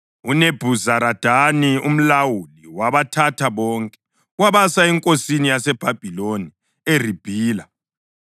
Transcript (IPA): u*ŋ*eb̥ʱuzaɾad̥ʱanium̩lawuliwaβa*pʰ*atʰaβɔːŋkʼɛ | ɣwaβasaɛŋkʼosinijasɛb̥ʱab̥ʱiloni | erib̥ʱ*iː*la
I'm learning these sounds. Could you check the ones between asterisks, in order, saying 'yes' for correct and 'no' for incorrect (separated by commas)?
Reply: no, no, yes